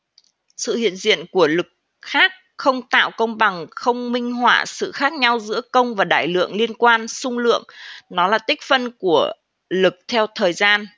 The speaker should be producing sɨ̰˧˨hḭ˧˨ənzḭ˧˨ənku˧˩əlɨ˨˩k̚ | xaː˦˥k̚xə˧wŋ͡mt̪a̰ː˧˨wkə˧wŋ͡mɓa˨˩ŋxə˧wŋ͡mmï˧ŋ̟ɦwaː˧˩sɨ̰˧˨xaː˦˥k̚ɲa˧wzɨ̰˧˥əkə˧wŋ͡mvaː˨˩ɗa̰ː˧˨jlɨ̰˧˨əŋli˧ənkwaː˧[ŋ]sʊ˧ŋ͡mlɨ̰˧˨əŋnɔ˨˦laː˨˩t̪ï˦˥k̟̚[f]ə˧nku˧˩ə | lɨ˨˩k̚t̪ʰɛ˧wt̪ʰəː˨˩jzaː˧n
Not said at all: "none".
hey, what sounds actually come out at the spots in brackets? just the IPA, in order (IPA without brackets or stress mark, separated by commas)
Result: n, f